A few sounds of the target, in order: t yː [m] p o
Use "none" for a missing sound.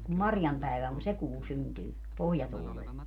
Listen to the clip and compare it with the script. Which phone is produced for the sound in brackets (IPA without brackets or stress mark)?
none